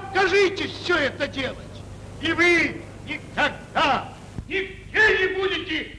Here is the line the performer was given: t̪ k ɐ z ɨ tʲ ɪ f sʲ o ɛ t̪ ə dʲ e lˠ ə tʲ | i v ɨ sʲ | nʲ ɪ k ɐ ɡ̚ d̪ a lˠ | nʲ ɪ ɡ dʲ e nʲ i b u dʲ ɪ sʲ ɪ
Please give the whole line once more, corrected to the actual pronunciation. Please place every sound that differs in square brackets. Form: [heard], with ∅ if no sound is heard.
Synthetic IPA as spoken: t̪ k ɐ [ʐ] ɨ tʲ ɪ f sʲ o ɛ t̪ ə dʲ e lˠ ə tʲ | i v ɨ [∅] | nʲ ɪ k ɐ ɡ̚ d̪ a [∅] | nʲ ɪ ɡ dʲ e nʲ [ɪ] b u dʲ ɪ [tʲ] ɪ